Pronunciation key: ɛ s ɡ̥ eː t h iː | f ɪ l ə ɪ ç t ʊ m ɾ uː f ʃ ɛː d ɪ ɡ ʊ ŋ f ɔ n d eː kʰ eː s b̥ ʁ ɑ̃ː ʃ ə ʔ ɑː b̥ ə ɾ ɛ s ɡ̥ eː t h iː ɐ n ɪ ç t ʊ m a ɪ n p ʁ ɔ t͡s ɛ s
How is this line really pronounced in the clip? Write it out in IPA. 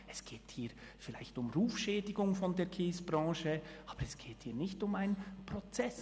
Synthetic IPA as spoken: ɛ s ɡ̥ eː t h iː | f ɪ l a ɪ ç t ʊ m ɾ uː f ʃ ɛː d ɪ ɡ ʊ ŋ f ɔ n d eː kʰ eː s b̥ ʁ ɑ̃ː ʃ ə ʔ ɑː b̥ ə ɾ ɛ s ɡ̥ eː t h iː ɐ n ɪ ç t ʊ m a ɪ n p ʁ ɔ t͡s ɛ s